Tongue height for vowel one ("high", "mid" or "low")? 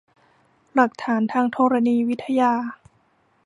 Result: low